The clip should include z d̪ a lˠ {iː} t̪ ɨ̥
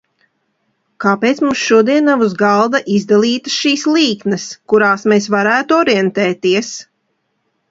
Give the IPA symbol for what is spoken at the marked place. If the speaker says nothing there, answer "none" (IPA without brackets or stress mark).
iː